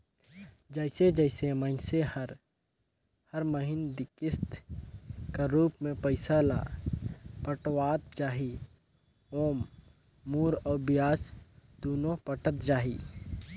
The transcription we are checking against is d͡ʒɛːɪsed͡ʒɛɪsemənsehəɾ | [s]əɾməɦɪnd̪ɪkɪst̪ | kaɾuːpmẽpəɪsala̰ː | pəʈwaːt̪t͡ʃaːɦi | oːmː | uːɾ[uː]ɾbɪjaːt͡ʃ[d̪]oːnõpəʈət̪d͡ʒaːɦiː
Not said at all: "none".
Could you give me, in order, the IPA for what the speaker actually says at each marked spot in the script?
h, ɔː, d̪

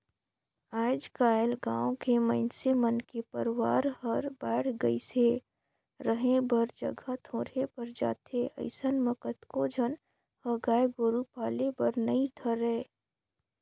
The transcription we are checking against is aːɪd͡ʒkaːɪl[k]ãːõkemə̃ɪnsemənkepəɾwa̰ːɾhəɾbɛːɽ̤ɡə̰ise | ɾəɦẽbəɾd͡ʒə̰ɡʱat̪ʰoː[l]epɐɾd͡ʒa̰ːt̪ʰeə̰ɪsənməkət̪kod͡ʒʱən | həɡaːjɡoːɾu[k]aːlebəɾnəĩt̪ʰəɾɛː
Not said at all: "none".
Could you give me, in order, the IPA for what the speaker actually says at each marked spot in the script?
ɡ, ɾ, p

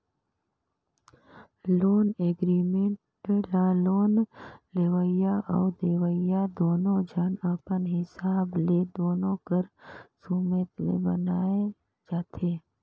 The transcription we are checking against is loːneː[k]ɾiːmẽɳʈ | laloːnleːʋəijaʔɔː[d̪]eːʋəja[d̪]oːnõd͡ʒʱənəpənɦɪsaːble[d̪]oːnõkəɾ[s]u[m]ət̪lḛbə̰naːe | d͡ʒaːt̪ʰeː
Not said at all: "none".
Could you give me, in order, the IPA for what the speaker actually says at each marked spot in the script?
ɡ, d̪, d̪, d̪, s, m

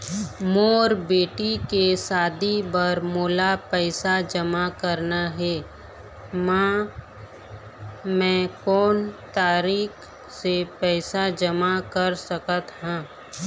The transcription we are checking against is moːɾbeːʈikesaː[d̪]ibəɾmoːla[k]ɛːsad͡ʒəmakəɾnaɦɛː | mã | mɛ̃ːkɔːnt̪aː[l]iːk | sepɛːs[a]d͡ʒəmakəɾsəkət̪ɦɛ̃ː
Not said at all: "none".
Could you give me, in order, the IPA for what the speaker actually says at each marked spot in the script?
d̪, p, ɾ, a

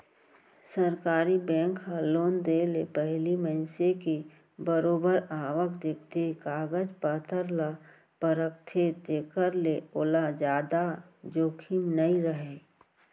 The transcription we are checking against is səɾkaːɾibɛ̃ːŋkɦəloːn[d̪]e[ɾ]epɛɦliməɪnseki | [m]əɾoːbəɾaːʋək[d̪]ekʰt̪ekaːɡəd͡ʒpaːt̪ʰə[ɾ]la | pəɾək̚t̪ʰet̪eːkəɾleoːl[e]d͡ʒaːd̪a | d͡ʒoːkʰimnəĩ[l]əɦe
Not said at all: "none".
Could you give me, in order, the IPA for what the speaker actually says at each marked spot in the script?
d̪, l, b, d̪, ɾ, a, ɾ

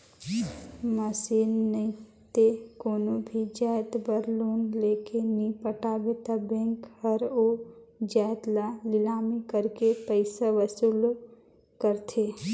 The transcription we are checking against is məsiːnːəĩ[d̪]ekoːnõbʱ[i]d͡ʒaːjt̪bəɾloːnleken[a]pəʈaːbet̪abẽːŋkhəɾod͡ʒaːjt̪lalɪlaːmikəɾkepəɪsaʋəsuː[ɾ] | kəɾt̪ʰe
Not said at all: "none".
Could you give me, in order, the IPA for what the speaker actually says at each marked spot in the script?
t̪, i, i, l

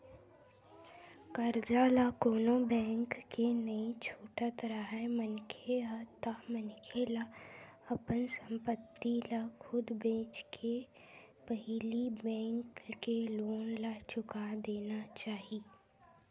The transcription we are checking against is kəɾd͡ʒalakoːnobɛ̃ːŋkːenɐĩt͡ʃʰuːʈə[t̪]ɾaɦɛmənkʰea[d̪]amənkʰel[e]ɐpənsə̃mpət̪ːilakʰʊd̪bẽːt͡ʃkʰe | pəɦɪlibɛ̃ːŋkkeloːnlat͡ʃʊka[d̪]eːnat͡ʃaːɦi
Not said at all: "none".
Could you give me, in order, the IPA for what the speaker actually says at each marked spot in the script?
t̪, t̪, a, d̪

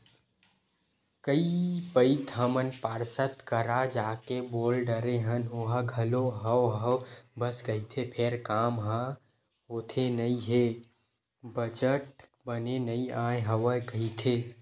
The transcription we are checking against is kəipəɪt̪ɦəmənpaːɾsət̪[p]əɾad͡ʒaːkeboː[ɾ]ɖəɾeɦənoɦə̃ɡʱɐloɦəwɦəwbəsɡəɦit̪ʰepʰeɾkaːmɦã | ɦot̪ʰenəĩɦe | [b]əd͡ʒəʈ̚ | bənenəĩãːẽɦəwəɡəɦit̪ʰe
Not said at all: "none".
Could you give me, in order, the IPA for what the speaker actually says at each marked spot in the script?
k, l, b

